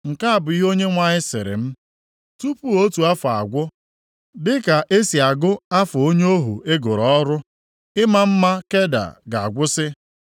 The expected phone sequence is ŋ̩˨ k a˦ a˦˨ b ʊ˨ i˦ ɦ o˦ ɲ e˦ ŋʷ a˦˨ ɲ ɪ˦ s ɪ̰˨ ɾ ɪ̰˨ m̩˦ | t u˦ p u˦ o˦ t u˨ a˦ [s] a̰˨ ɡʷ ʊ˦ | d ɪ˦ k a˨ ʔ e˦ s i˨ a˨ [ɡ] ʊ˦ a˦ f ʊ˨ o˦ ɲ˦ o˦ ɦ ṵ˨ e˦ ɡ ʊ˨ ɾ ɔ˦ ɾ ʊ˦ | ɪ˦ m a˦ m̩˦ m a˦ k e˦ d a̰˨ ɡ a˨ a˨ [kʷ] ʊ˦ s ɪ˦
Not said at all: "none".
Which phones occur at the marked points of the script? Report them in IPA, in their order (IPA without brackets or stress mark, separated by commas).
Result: f, ɡ, ɡʷ